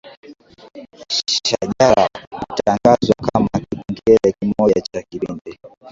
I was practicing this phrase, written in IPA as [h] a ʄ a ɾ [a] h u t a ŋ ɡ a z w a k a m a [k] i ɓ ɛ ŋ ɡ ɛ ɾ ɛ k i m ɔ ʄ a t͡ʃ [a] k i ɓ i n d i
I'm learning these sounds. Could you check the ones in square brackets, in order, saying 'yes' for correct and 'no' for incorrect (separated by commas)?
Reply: no, yes, yes, yes